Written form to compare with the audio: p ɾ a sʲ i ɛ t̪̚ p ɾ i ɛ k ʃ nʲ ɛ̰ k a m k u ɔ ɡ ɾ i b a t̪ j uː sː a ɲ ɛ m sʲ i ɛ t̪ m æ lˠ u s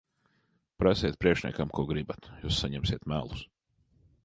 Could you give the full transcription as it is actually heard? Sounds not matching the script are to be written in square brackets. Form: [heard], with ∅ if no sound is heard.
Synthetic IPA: p ɾ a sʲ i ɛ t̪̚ p ɾ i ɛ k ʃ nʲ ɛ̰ k a m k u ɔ ɡ ɾ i b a t̪ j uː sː a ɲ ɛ m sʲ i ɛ t̪ m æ lˠ u s

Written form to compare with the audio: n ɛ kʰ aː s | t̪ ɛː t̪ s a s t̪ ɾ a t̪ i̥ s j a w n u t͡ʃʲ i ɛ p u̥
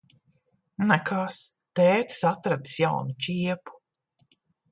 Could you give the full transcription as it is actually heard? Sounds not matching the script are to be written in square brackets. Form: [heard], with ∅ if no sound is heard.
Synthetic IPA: n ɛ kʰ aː s | t̪ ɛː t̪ s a [∅] t̪ ɾ a [d̪] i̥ s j a w n u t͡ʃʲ i ɛ p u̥

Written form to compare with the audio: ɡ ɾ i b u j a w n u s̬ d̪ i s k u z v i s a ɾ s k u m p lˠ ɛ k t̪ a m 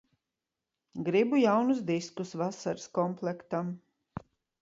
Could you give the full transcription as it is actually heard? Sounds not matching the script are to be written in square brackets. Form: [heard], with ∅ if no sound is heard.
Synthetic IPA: ɡ ɾ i b u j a w n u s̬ d̪ i s k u [s] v [a] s a ɾ s k [ɔ] m p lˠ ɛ k t̪ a m

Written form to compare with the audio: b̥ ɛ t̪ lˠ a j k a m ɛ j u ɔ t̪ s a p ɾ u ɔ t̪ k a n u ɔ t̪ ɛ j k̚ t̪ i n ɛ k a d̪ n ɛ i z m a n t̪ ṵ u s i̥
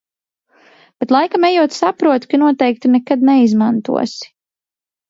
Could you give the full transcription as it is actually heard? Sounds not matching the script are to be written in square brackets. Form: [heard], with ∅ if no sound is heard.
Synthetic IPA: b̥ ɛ t̪ lˠ a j k a m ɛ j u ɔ t̪ s a p ɾ u ɔ t̪ k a n u ɔ t̪ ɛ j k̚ t̪ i n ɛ k a d̪ n ɛ i z m a n t̪ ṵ [ɔ] s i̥

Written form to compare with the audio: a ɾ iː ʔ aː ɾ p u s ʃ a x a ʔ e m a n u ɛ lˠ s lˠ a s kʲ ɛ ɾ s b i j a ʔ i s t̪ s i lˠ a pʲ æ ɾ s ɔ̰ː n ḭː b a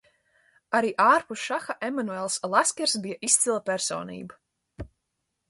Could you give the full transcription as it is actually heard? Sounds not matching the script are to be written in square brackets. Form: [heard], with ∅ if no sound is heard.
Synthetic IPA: a ɾ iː ʔ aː ɾ p u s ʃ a x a ʔ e m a n u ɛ lˠ s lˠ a s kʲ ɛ ɾ s b i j a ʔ i s t̪ s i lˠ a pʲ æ ɾ s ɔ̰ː n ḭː b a

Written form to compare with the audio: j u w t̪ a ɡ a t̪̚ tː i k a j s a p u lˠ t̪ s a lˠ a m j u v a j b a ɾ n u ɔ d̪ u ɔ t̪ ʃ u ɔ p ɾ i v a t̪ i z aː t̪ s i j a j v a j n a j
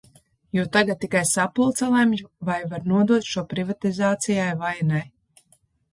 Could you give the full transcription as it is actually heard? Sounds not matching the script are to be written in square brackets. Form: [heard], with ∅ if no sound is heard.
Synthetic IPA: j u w t̪ a ɡ a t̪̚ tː i k a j s a p u lˠ t̪ s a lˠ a m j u v a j [v] a ɾ n u ɔ d̪ u ɔ t̪ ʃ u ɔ p ɾ i v a t̪ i z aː t̪ s i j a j v a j n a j

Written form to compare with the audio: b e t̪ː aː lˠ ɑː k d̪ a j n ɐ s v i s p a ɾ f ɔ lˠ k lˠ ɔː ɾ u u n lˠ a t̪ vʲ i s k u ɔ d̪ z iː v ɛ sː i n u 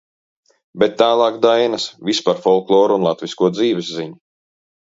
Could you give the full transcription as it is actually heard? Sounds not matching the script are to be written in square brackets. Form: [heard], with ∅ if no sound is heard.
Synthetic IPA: b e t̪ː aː lˠ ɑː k d̪ a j n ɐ s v i s p a ɾ f ɔ lˠ k lˠ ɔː ɾ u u n lˠ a t̪ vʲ i s k u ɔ d̪ z iː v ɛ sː i [ɲ] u

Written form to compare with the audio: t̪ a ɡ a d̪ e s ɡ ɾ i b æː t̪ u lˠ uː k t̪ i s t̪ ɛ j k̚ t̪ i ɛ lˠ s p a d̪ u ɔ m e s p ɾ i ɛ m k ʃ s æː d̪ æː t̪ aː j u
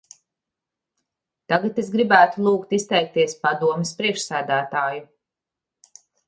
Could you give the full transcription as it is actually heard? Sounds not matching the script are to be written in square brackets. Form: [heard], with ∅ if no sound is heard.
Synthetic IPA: t̪ a ɡ a [t̪] e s ɡ ɾ i b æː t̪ u lˠ uː k t̪ i s t̪ ɛ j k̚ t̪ i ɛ [∅] s p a d̪ u ɔ m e s p ɾ i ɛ [∅] k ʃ s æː d̪ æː t̪ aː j u

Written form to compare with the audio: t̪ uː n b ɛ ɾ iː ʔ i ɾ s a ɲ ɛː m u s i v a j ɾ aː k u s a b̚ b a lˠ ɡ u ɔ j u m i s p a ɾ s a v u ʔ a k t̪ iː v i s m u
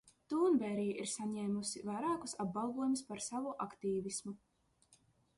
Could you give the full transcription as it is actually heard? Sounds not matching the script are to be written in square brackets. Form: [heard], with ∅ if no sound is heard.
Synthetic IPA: t̪ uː n b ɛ ɾ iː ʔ i ɾ s a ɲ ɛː m u s i v a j ɾ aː k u s a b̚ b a lˠ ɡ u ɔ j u m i s p a ɾ s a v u ʔ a k t̪ iː v i s m u

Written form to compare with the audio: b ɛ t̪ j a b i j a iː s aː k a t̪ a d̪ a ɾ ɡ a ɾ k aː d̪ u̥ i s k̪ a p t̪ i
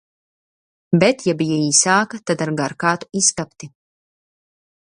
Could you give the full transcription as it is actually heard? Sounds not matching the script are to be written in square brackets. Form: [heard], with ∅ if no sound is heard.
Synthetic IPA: b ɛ t̪ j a b i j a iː s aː k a t̪ a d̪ a ɾ ɡ a ɾ k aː [t̪] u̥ i s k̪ a p t̪ i

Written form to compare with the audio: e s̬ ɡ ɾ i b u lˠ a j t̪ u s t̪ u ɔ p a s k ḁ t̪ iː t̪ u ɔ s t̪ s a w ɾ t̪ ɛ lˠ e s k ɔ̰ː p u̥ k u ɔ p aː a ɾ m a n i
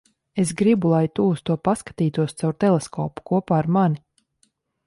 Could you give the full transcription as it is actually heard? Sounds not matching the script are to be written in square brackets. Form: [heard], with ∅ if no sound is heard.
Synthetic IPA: e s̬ ɡ ɾ i b u lˠ a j t̪ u s t̪ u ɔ p a s k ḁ t̪ iː t̪ u ɔ s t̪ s a w ɾ t̪ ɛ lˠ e s k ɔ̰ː p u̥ k u ɔ p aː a ɾ m a n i

